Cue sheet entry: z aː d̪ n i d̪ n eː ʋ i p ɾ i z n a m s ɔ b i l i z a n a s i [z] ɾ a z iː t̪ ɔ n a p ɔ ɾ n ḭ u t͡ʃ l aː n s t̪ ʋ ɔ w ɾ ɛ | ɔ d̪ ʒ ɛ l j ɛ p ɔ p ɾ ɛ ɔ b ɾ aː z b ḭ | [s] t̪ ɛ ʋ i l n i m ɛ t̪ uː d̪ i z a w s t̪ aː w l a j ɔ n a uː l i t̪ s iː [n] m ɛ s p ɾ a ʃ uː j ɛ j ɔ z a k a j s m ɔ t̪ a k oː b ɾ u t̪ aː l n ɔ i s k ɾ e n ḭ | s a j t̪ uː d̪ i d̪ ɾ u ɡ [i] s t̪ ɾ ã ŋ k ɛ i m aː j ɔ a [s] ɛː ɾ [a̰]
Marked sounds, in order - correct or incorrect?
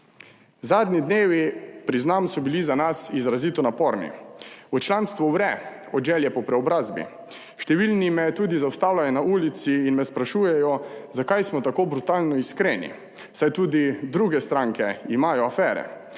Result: correct, incorrect: ʃ, correct, incorrect: ɛ, incorrect: f, incorrect: ɛ̰

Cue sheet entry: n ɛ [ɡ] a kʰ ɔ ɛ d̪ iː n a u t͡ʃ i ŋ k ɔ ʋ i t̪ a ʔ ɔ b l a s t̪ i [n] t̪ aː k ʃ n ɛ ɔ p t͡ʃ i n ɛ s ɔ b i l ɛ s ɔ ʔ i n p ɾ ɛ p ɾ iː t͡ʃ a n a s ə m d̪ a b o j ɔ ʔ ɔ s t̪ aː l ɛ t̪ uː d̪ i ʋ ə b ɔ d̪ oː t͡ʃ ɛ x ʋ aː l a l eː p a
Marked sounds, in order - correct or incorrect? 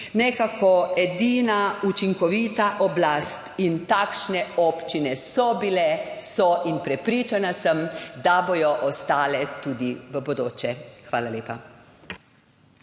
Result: incorrect: k, correct

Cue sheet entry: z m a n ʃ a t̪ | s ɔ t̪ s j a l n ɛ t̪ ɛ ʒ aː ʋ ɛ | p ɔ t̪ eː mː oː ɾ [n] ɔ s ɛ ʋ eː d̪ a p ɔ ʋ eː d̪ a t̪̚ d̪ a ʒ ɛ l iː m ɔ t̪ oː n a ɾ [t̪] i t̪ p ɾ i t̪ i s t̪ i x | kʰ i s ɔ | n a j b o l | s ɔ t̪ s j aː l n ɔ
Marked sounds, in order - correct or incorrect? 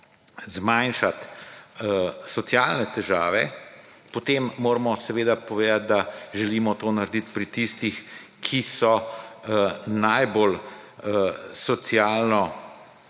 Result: incorrect: m, incorrect: d̪

